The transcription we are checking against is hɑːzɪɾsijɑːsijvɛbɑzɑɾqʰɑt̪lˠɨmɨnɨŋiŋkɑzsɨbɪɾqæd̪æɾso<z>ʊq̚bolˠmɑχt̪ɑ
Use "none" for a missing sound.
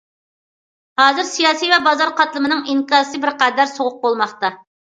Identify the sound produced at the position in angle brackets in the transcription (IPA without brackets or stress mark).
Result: ʁ